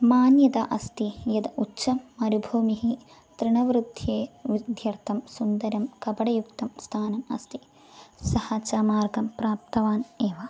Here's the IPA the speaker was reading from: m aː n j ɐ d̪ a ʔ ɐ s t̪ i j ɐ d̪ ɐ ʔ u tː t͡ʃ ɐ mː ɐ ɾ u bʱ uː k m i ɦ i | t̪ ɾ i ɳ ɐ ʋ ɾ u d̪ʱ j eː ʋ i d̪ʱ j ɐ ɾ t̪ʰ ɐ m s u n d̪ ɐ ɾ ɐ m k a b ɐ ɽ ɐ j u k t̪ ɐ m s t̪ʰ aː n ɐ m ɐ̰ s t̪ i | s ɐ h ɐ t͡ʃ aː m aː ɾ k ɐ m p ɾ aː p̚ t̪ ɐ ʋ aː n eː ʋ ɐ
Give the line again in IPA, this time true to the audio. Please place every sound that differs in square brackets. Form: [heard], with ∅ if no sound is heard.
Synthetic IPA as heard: m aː n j ɐ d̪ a ʔ ɐ s t̪ i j ɐ d̪ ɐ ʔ u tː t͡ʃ ɐ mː ɐ ɾ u bʱ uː [∅] m i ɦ i | t̪ ɾ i ɳ ɐ ʋ ɾ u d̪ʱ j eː ʋ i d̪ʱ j ɐ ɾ t̪ʰ ɐ m s u n d̪ ɐ ɾ ɐ m k [ɐ] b ɐ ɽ ɐ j u k t̪ ɐ m s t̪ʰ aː n ɐ m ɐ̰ s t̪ i | s ɐ h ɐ t͡ʃ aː m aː ɾ [ɡ] ɐ m p ɾ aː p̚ t̪ ɐ ʋ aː n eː ʋ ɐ

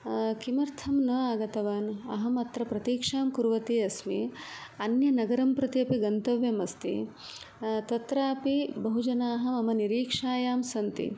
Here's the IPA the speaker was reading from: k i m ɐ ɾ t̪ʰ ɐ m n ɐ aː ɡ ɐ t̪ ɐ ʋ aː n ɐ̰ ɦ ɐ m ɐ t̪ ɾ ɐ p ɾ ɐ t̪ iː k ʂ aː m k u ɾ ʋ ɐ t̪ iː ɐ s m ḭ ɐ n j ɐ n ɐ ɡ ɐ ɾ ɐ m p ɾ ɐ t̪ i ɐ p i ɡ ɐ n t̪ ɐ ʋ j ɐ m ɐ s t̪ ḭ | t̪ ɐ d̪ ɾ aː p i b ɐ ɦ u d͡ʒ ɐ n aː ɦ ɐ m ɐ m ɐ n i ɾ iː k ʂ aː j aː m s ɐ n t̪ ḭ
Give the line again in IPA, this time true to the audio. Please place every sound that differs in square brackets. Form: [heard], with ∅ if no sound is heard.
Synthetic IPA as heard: k i m ɐ ɾ t̪ʰ ɐ m n ɐ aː ɡ ɐ t̪ ɐ ʋ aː n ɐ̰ ɦ ɐ m ɐ t̪ ɾ ɐ p ɾ ɐ t̪ iː k ʂ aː m k u ɾ ʋ ɐ t̪ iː ɐ s m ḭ ɐ n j ɐ n ɐ ɡ ɐ ɾ ɐ m p ɾ ɐ t̪ i ɐ p i ɡ ɐ n t̪ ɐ ʋ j ɐ m ɐ s t̪ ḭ | t̪ ɐ [t̪] ɾ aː p i b ɐ ɦ u d͡ʒ ɐ n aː ɦ ɐ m ɐ m ɐ n i ɾ iː k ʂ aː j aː m s ɐ n t̪ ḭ

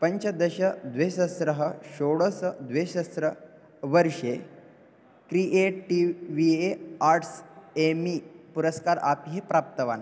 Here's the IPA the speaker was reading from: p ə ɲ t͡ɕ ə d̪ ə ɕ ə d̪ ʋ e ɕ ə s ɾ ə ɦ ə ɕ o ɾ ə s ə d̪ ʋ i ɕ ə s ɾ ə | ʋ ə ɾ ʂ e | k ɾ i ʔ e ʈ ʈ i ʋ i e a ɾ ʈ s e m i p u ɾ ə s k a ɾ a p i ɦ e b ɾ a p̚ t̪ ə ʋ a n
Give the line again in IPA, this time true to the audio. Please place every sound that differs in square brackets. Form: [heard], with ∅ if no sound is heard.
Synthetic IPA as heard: p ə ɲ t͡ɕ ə d̪ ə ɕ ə d̪ ʋ e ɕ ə s ɾ ə ɦ ə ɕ o [ɽ] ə s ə d̪ ʋ [e] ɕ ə s ɾ ə | ʋ ə ɾ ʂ e | k ɾ i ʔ e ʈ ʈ i ʋ i e a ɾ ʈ s e m i p u ɾ ə s k a ɾ a p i ɦ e [p] ɾ a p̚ t̪ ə ʋ a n

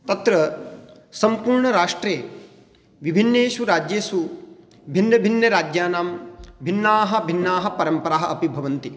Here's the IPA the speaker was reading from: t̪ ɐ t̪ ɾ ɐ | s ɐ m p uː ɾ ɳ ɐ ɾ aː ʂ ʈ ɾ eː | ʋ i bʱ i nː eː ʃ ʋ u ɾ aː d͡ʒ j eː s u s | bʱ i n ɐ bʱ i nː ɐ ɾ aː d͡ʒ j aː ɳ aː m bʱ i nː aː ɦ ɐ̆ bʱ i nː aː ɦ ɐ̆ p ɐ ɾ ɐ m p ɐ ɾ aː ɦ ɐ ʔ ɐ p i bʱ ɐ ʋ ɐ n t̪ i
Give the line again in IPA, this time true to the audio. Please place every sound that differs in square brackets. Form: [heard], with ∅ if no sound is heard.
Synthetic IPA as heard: t̪ ɐ t̪ ɾ ɐ | s ɐ m p uː ɾ ɳ ɐ ɾ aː ʂ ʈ ɾ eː | ʋ i bʱ i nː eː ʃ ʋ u ɾ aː d͡ʒ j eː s u [∅] | bʱ i [nː] ɐ bʱ i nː ɐ ɾ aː d͡ʒ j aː [n] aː m bʱ i nː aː ɦ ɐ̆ bʱ i nː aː ɦ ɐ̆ p ɐ ɾ ɐ m p ɐ ɾ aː ɦ ɐ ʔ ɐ p i bʱ ɐ ʋ ɐ n t̪ i

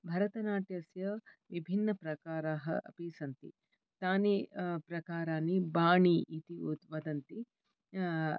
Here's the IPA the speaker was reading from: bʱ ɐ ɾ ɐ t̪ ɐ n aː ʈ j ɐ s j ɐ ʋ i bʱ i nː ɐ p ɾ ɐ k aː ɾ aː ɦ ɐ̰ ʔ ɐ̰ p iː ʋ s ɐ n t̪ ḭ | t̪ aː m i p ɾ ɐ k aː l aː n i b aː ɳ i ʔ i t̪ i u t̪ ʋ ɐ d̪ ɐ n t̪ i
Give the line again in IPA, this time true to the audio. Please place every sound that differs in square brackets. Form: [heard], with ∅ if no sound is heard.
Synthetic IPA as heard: bʱ ɐ ɾ ɐ t̪ ɐ n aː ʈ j ɐ s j ɐ ʋ i bʱ i nː ɐ p ɾ ɐ k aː ɾ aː ɦ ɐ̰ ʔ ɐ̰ p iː [∅] s ɐ n t̪ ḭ | t̪ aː [n] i p ɾ ɐ k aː [ɾ] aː n i b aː ɳ i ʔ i t̪ i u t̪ ʋ ɐ d̪ ɐ n t̪ i

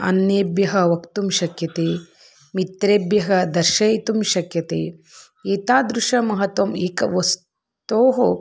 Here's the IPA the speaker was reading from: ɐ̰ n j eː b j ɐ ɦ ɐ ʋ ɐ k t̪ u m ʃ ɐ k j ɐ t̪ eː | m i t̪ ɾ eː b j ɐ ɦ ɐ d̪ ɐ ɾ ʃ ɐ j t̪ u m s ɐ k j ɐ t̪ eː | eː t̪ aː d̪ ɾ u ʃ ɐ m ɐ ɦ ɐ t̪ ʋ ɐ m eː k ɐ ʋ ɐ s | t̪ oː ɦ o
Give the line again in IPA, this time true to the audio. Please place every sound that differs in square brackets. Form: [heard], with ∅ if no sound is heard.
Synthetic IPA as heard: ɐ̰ n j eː b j ɐ ɦ ɐ ʋ ɐ k t̪ u m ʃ ɐ k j ɐ t̪ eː | m i t̪ ɾ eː b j ɐ ɦ ɐ d̪ ɐ ɾ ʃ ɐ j t̪ u m [ʃ] ɐ k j ɐ t̪ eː | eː t̪ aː d̪ ɾ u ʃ ɐ m ɐ ɦ ɐ t̪ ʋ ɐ m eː k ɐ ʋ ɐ s | t̪ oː ɦ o

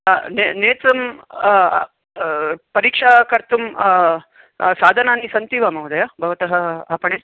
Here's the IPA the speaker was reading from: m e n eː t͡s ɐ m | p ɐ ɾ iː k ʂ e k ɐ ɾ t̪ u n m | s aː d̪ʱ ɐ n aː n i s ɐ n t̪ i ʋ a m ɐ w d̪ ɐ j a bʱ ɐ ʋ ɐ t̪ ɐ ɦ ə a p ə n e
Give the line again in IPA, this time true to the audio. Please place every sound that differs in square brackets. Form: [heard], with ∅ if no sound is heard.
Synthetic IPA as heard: [n] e n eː t͡s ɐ m | p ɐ ɾ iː k ʂ [a] k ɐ ɾ t̪ u [∅] m | s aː d̪ʱ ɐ n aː n i s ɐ n t̪ i ʋ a m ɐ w d̪ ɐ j a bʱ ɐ ʋ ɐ t̪ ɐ ɦ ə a p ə [ɳ] e

